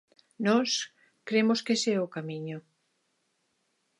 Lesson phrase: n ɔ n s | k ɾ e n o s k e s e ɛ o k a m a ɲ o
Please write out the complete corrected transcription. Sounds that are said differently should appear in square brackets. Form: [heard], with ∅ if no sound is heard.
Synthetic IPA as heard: n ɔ [∅] s | k ɾ e [m] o s k e s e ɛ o k a m [i] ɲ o